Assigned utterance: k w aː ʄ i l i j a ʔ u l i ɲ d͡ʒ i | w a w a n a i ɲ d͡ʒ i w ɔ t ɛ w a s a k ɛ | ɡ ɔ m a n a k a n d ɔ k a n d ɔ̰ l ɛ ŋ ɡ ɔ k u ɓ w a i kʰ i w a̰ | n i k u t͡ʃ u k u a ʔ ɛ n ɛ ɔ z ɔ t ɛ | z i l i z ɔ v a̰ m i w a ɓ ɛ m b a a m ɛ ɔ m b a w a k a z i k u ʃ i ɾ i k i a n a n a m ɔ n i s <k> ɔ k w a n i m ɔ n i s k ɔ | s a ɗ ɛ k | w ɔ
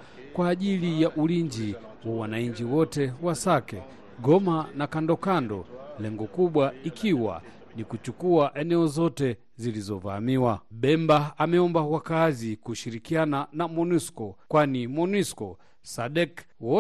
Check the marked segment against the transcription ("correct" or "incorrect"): correct